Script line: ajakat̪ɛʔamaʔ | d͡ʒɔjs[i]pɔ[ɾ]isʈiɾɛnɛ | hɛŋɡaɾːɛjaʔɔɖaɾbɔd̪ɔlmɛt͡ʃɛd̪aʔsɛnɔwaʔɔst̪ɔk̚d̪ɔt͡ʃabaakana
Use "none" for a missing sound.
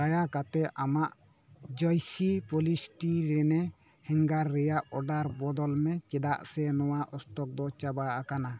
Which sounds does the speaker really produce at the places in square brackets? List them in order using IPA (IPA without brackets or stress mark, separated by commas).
i, l